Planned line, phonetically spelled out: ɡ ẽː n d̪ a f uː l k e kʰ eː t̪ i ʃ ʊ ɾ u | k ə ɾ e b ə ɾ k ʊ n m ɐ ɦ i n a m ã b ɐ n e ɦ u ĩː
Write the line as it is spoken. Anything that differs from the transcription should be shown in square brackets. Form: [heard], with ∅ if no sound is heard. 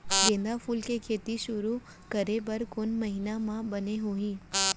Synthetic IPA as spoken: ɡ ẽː n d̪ a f uː l k e kʰ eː t̪ i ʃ ʊ ɾ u | k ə ɾ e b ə ɾ k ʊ n m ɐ ɦ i n a m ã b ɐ n e ɦ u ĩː